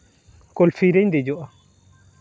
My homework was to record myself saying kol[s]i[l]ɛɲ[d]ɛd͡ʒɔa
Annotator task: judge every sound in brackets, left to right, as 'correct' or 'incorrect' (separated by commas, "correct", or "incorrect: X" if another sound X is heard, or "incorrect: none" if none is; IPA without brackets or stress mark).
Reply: incorrect: f, incorrect: ɾ, correct